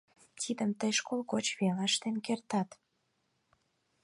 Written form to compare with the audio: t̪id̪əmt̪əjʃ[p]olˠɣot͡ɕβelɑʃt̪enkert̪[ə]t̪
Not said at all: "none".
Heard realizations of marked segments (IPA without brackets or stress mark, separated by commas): k, ɑ